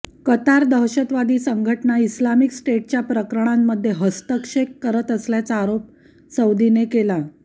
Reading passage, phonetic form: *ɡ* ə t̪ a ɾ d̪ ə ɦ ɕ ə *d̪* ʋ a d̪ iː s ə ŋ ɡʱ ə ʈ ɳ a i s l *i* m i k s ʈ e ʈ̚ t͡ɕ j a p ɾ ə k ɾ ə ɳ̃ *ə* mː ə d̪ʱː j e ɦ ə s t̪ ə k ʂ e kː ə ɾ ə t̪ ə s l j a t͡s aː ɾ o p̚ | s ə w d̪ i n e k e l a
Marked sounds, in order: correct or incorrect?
incorrect: k, incorrect: t̪, incorrect: a, incorrect: a

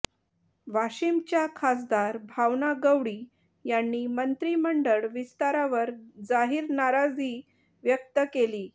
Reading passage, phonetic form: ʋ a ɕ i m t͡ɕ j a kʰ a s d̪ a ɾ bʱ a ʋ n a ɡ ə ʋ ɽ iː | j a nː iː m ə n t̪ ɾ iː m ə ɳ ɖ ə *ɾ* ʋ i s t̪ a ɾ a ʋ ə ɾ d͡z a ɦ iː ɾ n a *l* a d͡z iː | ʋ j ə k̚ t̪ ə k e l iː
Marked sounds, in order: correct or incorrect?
incorrect: ɭ, incorrect: ɾ

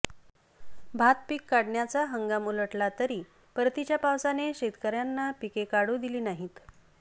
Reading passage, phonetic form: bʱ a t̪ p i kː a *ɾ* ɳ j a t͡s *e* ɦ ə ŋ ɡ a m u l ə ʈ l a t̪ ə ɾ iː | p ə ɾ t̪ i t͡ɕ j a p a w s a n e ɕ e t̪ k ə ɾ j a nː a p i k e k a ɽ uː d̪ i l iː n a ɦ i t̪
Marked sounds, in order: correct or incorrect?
incorrect: ɽ, incorrect: a

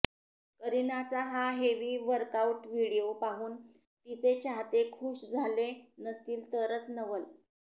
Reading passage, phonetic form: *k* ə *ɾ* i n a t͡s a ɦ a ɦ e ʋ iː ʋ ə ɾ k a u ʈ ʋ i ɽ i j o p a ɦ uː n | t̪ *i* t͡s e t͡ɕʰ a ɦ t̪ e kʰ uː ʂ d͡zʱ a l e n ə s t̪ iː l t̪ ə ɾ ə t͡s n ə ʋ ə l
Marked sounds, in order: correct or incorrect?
correct, correct, correct

